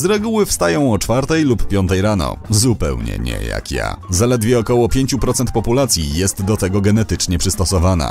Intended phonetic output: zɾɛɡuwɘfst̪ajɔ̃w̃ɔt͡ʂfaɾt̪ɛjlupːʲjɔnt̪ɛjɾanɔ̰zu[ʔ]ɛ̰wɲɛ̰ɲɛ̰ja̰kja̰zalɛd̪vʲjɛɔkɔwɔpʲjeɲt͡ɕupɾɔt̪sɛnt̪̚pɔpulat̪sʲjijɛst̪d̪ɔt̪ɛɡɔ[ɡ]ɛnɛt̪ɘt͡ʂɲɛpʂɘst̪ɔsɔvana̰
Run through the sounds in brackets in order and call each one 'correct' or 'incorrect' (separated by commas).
incorrect, correct